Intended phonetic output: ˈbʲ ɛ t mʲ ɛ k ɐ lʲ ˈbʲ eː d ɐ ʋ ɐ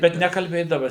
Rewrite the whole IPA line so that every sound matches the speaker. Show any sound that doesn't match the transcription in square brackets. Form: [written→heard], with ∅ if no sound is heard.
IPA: ˈbʲ ɛ t [mʲ→nʲ] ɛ k ɐ lʲ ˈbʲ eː d ɐ ʋ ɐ